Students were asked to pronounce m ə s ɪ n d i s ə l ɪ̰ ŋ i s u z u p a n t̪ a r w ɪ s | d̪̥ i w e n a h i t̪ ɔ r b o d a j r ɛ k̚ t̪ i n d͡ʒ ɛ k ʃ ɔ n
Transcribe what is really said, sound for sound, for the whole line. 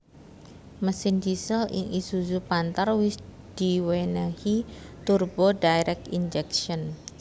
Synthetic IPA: m ə s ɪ n d i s ə l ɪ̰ ŋ i s u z u p a n t̪ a r w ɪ s | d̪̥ i w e n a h i t̪ u r b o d a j ɾ ɛ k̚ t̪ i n d͡ʒ ɛ k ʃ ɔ n